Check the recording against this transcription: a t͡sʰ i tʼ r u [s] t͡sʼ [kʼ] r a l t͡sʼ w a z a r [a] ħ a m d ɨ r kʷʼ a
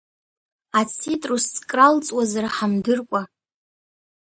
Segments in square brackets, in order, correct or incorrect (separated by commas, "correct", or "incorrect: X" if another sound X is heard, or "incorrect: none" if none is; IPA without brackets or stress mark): correct, correct, correct